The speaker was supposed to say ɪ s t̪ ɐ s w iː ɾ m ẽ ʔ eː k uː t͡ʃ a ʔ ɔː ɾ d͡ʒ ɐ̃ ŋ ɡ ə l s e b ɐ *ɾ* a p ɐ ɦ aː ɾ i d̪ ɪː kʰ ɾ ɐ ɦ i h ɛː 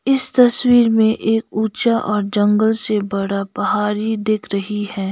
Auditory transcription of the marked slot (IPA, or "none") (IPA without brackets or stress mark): ɽ